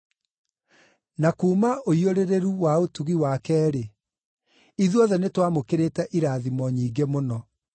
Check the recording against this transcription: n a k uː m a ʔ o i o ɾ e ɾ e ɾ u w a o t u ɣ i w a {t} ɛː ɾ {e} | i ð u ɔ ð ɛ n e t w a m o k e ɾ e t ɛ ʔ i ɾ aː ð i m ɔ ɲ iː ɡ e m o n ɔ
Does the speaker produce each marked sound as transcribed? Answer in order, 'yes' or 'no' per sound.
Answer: no, yes

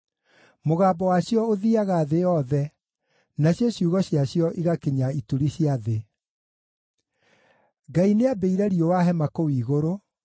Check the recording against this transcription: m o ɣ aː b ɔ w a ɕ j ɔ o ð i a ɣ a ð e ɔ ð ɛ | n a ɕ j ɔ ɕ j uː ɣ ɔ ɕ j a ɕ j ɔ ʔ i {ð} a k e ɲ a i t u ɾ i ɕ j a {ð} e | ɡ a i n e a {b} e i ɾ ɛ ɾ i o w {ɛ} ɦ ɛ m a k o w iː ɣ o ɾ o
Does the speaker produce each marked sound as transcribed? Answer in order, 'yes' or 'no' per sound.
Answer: no, yes, yes, no

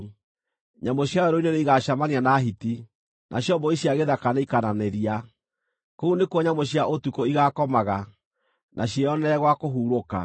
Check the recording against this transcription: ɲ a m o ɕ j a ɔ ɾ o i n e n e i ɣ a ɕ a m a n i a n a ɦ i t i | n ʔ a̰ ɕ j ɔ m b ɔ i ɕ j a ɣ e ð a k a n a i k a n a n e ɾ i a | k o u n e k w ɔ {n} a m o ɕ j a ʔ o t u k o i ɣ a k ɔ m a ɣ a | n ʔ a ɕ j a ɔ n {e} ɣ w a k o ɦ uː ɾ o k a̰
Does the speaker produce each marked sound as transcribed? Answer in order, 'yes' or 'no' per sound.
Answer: no, no

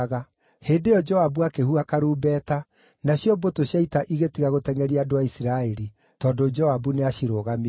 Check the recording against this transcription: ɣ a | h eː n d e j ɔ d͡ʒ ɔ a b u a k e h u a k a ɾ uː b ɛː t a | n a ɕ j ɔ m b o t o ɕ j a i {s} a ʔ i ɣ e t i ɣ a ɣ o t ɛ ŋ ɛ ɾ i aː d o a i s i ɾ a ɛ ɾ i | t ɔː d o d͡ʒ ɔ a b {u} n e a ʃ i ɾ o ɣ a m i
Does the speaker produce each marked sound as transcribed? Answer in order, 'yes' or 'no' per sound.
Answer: no, yes

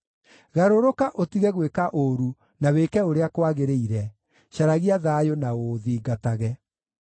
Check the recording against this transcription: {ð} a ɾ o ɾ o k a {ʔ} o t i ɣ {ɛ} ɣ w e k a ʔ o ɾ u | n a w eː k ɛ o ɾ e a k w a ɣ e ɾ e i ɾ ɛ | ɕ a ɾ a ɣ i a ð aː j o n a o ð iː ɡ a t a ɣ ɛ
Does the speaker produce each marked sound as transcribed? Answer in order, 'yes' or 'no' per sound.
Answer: no, yes, yes

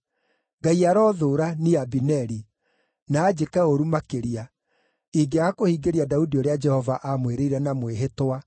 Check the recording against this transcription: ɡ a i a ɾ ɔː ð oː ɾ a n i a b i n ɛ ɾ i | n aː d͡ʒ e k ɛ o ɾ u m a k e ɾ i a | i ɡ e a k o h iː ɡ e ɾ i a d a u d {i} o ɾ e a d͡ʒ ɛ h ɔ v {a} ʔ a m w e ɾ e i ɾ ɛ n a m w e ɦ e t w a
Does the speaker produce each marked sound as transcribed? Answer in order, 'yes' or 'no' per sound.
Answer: yes, yes

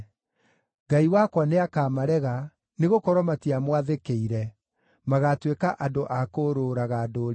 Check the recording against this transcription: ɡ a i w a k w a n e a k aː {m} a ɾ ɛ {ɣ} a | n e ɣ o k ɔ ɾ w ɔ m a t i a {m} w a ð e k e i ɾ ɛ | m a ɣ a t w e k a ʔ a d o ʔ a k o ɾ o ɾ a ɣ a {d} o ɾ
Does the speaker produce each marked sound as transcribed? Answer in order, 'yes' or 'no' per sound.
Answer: yes, yes, yes, yes

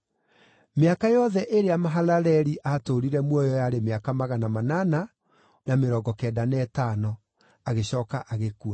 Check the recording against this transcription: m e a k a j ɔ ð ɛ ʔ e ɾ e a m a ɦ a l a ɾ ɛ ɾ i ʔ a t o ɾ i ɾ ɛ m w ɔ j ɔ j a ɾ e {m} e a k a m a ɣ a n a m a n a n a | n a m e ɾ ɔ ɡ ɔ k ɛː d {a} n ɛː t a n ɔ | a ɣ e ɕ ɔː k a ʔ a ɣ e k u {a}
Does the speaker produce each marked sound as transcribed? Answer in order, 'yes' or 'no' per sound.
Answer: yes, yes, yes

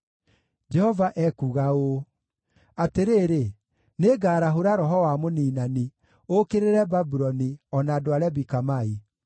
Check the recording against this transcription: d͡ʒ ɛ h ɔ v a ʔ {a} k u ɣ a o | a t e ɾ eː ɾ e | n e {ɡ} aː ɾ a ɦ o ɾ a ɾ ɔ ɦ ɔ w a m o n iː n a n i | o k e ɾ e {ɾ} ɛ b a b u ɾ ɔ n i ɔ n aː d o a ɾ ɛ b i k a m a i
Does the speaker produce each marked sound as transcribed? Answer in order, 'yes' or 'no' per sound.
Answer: no, yes, yes

